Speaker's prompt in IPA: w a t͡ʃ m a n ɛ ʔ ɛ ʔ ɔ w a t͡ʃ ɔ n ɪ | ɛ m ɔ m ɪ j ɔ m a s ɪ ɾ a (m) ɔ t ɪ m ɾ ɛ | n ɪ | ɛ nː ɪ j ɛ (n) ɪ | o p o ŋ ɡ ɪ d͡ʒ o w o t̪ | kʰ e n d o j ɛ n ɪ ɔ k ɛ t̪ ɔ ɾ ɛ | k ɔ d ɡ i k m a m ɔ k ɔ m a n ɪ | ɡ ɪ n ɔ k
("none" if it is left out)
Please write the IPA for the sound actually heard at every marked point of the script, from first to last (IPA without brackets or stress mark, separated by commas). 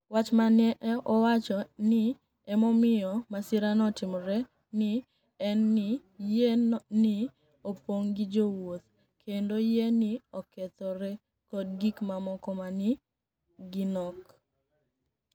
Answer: n, n